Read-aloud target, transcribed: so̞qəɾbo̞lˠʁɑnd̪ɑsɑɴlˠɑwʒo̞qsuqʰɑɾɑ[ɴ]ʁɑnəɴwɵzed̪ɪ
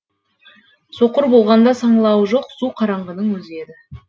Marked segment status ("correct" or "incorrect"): correct